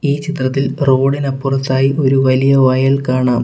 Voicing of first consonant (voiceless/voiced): voiceless